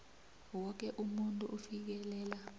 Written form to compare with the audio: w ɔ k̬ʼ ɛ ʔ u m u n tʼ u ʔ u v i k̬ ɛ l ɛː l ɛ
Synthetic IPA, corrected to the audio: w ɔ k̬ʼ ɛ ʔ u m u n tʼ u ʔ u f i k̬ ɛ l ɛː l a